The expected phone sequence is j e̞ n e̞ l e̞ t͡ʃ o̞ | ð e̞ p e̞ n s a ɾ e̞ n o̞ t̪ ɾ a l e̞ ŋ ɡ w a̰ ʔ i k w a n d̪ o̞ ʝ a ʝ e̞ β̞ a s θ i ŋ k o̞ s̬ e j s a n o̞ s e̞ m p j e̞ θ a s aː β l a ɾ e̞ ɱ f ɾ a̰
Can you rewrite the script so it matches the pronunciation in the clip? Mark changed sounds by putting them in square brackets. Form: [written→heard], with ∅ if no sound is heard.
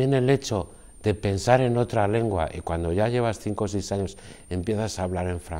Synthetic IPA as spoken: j e̞ n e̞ l e̞ t͡ʃ o̞ | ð e̞ p e̞ n s a ɾ e̞ n o̞ t̪ ɾ a l e̞ ŋ ɡ w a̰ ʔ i k w a n d̪ o̞ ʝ a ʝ e̞ β̞ a s θ i ŋ k o̞ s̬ e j s a [n→ɲ] o̞ s e̞ m p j e̞ θ a s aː β l a ɾ e̞ ɱ f ɾ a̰